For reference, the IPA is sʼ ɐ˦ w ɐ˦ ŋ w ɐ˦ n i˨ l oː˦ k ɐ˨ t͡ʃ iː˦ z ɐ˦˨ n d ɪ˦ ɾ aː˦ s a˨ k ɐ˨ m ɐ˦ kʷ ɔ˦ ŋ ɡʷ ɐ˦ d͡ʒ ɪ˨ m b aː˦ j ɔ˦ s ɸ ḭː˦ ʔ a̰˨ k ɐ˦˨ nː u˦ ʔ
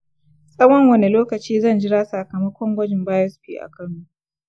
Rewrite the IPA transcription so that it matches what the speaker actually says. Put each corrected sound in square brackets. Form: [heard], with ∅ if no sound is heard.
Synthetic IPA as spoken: sʼ ɐ˦ w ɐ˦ ŋ w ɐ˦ n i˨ l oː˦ k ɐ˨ t͡ʃ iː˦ z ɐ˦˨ n [d͡ʒ] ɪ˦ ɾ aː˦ s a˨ k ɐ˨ m ɐ˦ kʷ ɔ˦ ŋ ɡʷ ɐ˦ d͡ʒ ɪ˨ m b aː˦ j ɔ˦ s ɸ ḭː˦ ʔ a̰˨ k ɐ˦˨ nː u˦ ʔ